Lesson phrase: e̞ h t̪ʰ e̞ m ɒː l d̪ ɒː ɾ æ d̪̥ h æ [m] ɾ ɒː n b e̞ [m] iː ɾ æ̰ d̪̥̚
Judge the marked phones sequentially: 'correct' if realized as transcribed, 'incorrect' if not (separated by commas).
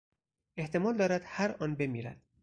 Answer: incorrect, correct